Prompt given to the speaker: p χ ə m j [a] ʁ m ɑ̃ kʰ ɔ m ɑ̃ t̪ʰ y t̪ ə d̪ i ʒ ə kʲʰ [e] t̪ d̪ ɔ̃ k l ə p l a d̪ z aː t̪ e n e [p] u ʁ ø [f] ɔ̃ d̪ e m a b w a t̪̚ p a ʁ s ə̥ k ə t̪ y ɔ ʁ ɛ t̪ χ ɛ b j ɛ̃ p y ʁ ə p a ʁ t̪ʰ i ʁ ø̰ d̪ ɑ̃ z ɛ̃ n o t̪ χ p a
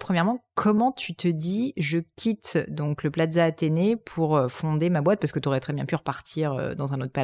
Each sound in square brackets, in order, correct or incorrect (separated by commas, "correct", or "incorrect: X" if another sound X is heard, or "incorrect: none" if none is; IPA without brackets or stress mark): incorrect: ɛ, incorrect: i, incorrect: pʰ, correct